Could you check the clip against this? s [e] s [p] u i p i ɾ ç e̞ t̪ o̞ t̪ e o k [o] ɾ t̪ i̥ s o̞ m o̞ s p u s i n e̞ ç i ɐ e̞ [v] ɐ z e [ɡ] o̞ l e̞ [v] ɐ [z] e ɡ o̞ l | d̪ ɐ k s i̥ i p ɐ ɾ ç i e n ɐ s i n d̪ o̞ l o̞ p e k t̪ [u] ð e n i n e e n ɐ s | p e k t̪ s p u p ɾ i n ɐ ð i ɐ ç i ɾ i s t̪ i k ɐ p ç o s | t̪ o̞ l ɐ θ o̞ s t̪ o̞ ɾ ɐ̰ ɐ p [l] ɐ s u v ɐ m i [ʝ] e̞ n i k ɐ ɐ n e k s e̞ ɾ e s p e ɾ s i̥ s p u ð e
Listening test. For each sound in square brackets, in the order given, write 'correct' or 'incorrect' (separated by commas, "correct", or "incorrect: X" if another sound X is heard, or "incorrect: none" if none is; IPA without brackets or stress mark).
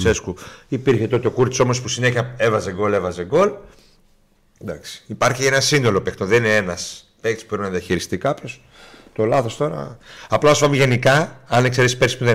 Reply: correct, incorrect: k, incorrect: u, correct, correct, correct, correct, incorrect: o, correct, correct